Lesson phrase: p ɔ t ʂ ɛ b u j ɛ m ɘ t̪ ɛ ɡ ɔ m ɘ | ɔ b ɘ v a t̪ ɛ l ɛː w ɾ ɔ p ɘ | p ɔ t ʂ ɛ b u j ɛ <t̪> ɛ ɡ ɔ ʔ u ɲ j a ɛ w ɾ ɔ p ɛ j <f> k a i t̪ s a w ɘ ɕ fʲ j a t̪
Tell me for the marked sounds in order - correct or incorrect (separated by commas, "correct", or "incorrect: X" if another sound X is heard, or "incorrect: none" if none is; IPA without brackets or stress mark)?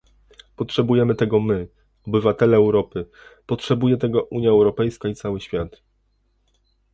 correct, incorrect: s